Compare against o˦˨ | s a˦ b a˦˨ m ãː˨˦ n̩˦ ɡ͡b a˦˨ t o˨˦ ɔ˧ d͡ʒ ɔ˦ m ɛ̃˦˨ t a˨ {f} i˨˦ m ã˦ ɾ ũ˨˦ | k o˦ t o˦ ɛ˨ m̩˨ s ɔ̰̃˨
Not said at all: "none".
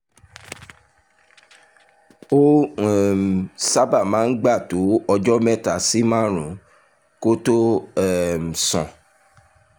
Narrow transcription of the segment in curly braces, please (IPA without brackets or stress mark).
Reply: s